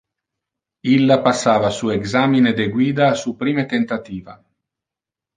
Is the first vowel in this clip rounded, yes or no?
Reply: no